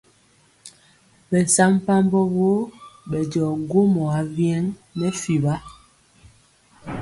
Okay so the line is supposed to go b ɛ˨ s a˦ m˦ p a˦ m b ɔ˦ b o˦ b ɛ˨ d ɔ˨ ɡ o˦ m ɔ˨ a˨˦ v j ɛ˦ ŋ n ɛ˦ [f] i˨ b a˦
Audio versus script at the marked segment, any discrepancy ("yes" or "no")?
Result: no